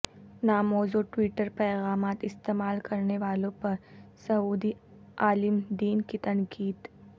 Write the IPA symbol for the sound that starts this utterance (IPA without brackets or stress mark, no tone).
n